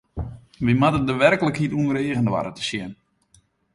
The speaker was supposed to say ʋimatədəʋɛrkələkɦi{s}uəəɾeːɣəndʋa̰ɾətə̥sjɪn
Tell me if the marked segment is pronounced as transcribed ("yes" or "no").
no